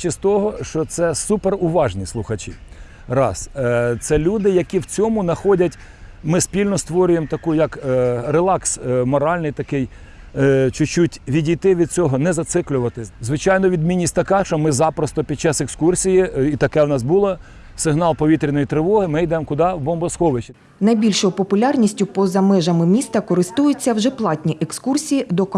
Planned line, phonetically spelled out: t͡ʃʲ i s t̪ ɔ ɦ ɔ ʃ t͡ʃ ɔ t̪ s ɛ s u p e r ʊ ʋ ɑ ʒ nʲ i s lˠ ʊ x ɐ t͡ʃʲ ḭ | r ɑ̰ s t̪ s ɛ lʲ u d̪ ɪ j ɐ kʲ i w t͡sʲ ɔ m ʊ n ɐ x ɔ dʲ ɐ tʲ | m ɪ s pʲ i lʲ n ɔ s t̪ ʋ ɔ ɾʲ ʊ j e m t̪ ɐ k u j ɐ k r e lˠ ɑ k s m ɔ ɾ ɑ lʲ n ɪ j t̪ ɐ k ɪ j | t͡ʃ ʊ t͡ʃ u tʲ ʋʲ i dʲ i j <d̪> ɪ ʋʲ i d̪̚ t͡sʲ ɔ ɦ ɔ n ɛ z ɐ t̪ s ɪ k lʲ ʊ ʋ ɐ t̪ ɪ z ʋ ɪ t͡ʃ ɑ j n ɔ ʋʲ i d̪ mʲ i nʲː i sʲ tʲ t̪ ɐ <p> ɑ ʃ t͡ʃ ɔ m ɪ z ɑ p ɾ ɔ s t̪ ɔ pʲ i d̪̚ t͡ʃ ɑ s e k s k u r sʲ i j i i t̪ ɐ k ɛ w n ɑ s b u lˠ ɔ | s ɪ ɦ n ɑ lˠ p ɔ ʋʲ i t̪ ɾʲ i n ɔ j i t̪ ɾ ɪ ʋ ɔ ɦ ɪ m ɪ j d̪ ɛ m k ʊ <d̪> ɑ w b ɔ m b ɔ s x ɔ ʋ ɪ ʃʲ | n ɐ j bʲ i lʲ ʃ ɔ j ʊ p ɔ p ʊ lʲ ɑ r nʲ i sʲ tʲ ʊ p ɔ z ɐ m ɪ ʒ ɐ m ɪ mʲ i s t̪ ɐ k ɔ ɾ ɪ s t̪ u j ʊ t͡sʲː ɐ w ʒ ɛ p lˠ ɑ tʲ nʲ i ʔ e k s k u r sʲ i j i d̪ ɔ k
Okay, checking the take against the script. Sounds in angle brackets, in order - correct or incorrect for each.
incorrect: t̪, incorrect: k, correct

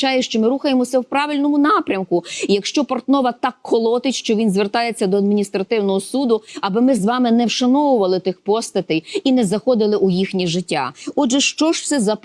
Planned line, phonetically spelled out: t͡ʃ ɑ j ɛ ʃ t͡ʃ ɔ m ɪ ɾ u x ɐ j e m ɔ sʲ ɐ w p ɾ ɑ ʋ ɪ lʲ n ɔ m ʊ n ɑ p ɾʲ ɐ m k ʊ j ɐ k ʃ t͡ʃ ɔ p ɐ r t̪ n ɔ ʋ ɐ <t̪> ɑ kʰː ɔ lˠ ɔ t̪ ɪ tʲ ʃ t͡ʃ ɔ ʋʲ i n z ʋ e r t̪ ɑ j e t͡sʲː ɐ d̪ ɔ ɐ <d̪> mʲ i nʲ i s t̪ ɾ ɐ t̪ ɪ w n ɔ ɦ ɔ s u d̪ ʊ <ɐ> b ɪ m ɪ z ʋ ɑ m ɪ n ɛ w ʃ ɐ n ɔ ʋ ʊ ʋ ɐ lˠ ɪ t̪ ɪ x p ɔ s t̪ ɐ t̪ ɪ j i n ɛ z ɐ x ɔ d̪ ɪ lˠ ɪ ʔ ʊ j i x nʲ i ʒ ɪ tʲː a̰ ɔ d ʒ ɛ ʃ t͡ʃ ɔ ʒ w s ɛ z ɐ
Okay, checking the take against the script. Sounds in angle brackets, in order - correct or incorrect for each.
correct, correct, correct

